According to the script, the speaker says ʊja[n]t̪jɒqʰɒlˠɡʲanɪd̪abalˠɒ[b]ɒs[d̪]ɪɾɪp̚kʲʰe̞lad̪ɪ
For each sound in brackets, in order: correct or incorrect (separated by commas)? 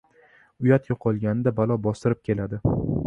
incorrect, correct, incorrect